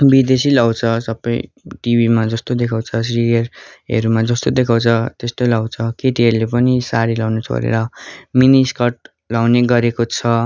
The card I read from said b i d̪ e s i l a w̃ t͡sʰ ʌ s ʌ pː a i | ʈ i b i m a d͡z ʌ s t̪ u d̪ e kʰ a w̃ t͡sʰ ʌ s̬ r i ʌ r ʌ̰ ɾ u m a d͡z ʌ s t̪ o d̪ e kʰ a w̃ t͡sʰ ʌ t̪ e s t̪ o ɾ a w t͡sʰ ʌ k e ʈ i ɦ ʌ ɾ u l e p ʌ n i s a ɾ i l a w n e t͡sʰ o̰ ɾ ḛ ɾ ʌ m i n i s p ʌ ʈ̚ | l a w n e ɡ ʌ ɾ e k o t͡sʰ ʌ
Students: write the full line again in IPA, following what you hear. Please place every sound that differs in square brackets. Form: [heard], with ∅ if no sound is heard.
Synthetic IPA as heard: b i d̪ e s i l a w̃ t͡sʰ ʌ s ʌ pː [ʌ] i | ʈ i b i m a d͡z ʌ s t̪ [o] d̪ e kʰ a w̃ t͡sʰ ʌ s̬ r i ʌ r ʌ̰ ɾ u m a d͡z ʌ s t̪ o d̪ e kʰ a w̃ t͡sʰ ʌ t̪ e s t̪ o [l] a w t͡sʰ ʌ k e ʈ i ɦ ʌ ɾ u l e p ʌ n i s a ɾ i l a w n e t͡sʰ o̰ ɾ ḛ ɾ ʌ m i n i s [k] ʌ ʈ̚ | l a w n e ɡ ʌ ɾ e k o t͡sʰ ʌ

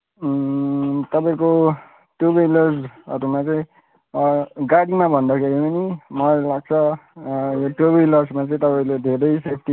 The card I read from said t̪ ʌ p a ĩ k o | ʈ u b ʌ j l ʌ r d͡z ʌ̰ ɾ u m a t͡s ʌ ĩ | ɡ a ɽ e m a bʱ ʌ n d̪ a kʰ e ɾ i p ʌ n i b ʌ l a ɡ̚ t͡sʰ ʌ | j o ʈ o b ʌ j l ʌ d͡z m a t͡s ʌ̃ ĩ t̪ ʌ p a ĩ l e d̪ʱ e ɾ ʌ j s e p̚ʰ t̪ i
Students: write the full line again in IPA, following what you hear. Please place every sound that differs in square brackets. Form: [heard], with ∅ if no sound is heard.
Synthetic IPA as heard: t̪ ʌ p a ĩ k o | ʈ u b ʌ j l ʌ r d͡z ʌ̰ ɾ u m a t͡s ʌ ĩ | ɡ a ɽ [i] m a bʱ ʌ n d̪ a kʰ e ɾ i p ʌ n i [m] ʌ l a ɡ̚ t͡sʰ ʌ | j o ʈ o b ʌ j l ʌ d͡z m a t͡s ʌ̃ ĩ t̪ ʌ p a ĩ l e d̪ʱ e ɾ ʌ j s e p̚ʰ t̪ i

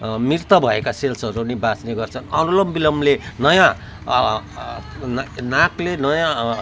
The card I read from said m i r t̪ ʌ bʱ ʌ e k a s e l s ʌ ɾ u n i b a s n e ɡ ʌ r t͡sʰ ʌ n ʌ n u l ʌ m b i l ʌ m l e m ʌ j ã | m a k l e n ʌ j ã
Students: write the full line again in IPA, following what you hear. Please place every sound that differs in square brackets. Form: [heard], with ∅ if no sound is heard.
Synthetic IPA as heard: m i r t̪ ʌ bʱ ʌ e k a s e l s ʌ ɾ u n i b a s n e ɡ ʌ r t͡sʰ ʌ n ʌ n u l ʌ m b i l ʌ m l e [n] ʌ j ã | [n] a k l e n ʌ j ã

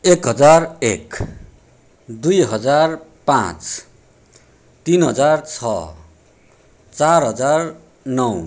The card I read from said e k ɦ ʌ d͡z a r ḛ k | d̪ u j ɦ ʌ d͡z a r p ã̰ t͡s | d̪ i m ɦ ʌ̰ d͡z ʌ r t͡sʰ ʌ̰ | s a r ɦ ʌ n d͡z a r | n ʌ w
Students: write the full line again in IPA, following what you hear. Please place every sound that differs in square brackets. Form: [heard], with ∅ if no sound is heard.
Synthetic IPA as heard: e k ɦ ʌ d͡z a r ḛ k | d̪ u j ɦ ʌ d͡z a r p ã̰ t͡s | [t̪] i [n] ɦ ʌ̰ d͡z [a] r t͡sʰ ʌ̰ | [t͡s] a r ɦ ʌ [∅] d͡z a r | n ʌ w

